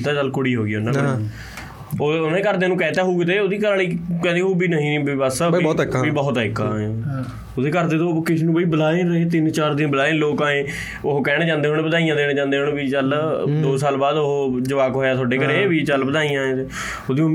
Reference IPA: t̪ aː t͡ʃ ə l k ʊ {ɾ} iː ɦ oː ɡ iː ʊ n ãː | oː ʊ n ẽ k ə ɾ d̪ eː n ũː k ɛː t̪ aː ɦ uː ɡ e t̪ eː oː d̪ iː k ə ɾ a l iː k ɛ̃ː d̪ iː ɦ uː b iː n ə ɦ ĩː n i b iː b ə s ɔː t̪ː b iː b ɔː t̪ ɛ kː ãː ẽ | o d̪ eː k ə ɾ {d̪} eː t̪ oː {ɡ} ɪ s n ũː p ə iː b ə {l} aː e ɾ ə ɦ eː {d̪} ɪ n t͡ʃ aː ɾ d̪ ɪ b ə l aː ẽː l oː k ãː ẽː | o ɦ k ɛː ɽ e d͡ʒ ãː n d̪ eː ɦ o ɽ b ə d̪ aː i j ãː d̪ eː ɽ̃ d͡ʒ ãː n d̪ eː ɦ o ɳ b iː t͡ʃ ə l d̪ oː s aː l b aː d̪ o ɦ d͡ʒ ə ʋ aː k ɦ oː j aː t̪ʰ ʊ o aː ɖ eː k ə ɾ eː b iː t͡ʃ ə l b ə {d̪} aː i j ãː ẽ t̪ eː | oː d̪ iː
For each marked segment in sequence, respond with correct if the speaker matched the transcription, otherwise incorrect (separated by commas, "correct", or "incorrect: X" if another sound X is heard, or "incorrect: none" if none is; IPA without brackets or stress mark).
incorrect: ɽ, correct, incorrect: k, correct, incorrect: t̪, correct